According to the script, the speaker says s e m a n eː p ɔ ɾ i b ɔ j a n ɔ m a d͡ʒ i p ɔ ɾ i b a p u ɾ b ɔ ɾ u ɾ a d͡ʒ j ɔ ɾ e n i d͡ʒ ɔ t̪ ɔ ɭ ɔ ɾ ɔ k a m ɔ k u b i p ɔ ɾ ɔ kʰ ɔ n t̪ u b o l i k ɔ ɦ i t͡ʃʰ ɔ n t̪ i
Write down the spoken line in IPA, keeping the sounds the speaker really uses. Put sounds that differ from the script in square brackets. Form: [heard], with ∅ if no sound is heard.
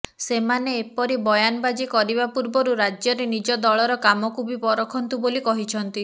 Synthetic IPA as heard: s e m a n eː p ɔ ɾ i b ɔ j a n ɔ [b] a d͡ʒ i [k] ɔ ɾ i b a p u ɾ b ɔ ɾ u ɾ a d͡ʒ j ɔ ɾ e n i d͡ʒ ɔ [d̪] ɔ ɭ ɔ ɾ ɔ k a m ɔ k u b i p ɔ ɾ ɔ kʰ ɔ n t̪ u b o l i k ɔ ɦ i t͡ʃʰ ɔ n t̪ i